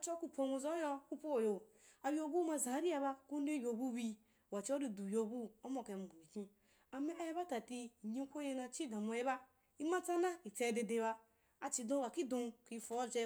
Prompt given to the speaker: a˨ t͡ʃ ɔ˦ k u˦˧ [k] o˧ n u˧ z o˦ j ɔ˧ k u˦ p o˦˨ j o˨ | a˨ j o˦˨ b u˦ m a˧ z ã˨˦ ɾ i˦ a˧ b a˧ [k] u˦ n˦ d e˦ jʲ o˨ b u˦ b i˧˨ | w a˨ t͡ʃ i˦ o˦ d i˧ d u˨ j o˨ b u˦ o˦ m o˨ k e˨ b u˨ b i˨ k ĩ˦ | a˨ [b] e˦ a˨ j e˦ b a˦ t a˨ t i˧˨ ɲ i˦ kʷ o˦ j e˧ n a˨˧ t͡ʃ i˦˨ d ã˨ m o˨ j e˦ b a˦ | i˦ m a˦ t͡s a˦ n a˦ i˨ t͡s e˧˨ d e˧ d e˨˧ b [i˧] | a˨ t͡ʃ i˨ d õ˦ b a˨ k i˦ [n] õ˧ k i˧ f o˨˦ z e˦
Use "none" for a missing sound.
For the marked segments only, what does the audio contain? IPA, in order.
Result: p, k, m, a˧, d

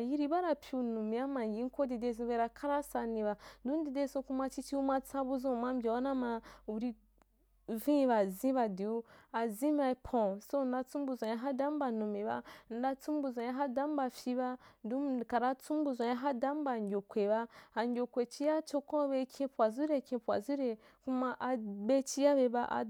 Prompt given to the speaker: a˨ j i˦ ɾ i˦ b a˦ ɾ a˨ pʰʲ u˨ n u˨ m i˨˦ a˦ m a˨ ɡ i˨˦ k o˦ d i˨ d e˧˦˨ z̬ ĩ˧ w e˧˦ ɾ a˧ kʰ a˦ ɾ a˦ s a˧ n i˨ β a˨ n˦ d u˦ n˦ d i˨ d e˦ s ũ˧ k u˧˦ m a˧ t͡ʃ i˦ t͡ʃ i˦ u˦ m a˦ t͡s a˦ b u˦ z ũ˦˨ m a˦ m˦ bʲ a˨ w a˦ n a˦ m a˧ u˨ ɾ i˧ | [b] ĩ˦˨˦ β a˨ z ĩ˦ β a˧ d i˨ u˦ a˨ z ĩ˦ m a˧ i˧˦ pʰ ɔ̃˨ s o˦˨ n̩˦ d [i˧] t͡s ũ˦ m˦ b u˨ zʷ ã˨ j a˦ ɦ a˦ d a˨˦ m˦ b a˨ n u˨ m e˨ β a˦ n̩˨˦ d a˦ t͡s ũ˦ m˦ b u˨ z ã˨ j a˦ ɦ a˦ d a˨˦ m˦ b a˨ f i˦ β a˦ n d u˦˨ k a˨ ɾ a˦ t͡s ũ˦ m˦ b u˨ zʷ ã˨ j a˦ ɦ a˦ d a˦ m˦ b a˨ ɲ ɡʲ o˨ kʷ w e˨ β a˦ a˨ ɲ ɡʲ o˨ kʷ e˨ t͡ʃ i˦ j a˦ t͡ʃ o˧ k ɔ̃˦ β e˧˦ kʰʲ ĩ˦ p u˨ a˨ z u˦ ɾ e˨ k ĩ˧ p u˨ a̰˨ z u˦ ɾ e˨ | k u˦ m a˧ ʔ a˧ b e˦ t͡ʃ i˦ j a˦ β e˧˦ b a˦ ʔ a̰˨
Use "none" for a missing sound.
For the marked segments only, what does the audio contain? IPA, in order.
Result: v, a˧

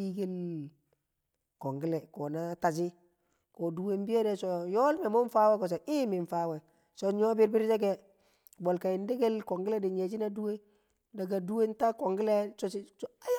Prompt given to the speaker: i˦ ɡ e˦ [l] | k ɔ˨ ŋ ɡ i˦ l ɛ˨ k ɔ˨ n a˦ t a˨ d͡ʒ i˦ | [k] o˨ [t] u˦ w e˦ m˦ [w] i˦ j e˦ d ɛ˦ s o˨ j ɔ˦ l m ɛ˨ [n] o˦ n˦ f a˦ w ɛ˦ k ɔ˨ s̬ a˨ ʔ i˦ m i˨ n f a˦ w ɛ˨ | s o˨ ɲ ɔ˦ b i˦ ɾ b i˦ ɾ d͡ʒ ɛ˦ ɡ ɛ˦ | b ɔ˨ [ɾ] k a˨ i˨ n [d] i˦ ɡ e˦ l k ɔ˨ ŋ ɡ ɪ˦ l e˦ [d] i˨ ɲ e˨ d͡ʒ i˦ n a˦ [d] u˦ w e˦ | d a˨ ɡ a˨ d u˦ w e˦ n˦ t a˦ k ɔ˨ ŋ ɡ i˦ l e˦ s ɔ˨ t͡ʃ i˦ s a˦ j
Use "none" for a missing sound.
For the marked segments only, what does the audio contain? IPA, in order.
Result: l, k, d, b, m, l, d, d, d

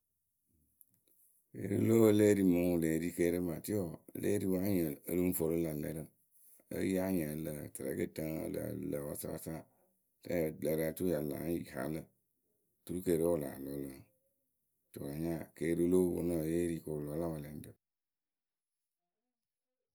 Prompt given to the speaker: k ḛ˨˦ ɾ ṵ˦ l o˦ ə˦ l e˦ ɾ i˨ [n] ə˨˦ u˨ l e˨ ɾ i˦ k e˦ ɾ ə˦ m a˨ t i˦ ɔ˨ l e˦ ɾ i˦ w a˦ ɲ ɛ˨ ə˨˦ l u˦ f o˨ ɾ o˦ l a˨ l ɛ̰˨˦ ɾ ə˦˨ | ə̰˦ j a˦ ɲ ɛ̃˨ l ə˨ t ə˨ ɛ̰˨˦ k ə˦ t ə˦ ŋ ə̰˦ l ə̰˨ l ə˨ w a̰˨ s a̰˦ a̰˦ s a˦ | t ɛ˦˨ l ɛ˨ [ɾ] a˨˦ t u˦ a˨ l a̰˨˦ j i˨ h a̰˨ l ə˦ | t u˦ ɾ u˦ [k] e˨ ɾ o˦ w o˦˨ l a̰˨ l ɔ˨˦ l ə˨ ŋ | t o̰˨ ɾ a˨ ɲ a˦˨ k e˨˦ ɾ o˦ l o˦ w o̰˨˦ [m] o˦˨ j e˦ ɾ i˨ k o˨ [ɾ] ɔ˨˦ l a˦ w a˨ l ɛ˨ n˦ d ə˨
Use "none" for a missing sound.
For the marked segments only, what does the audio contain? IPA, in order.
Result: m, ɾ, k, n, l

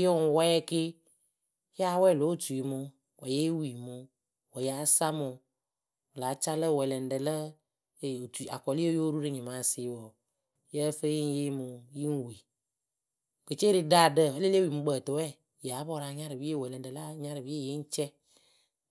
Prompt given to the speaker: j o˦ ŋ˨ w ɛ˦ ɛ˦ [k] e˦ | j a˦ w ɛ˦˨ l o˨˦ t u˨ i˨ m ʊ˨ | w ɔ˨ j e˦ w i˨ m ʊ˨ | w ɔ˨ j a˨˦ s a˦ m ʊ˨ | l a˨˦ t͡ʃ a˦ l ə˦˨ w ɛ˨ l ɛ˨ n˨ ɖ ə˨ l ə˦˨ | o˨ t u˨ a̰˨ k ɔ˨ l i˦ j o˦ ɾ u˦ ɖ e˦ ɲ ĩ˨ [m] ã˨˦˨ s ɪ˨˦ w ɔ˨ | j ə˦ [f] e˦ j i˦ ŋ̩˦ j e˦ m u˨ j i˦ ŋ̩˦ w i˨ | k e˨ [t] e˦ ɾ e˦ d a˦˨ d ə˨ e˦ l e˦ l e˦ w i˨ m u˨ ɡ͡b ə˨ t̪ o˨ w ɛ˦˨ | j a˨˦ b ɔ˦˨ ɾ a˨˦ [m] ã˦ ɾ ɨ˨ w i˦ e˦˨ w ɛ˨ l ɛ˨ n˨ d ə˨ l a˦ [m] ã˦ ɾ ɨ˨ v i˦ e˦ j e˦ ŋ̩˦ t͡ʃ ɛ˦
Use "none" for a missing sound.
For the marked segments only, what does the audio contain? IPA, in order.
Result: k, m, f, t͡ʃ, ɲ, ɲ

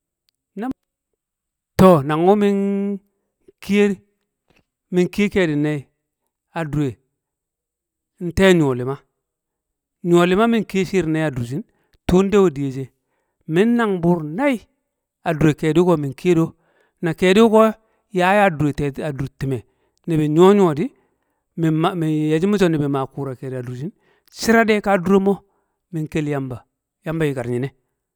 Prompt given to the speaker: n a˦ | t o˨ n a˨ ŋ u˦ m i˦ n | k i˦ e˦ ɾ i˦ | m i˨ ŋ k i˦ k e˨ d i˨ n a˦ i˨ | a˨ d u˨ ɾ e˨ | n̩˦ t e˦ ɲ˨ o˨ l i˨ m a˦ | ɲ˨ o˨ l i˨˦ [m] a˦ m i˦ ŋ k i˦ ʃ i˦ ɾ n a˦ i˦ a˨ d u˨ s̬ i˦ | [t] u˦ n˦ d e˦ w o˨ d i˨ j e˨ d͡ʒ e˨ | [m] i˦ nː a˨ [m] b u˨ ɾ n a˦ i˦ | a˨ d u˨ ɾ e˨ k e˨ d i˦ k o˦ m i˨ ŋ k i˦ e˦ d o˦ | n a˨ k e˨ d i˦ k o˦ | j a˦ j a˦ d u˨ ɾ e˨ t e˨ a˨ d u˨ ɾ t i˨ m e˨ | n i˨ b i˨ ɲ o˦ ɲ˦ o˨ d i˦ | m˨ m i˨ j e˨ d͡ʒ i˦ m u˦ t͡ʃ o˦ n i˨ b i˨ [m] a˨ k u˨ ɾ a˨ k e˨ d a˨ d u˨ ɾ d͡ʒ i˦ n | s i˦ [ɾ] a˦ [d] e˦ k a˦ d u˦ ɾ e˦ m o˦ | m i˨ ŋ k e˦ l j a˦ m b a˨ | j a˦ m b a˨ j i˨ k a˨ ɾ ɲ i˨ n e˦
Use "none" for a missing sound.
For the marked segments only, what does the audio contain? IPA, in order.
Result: m, t, m, ŋ, m, ɾ, d

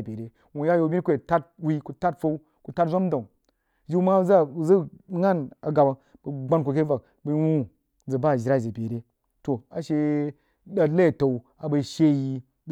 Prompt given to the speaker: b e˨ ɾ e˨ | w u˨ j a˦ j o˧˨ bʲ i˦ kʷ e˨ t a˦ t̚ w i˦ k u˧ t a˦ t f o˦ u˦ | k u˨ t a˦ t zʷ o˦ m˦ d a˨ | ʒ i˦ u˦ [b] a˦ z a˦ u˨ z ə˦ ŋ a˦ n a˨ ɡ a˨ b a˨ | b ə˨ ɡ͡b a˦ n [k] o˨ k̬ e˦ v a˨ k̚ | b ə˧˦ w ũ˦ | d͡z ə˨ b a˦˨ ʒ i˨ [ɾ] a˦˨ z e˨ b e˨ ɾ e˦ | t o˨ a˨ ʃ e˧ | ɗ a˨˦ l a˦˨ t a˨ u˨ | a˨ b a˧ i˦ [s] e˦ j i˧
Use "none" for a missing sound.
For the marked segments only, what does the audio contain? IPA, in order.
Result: m, k, ɾ, ʃ

